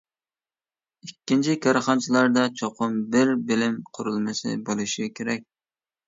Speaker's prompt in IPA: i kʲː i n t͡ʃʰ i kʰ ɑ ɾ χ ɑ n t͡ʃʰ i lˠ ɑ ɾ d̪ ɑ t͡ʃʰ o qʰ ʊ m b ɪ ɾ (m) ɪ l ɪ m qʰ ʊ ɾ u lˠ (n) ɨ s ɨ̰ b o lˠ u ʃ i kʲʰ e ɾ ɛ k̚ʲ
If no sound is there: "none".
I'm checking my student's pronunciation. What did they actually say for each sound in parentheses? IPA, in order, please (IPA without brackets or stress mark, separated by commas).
b, m